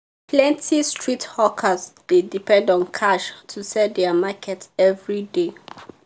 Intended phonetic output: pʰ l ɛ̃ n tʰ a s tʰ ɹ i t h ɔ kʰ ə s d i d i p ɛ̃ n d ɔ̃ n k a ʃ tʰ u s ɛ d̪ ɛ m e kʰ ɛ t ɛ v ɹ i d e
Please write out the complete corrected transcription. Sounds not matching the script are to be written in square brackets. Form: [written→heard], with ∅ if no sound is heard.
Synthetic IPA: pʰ l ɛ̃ n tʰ [a→i] s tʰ ɹ i t h ɔ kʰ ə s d [i→e] d i p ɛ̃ n d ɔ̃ n [k→kʰ] a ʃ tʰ u s ɛ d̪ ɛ m [e→a] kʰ ɛ t ɛ v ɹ i d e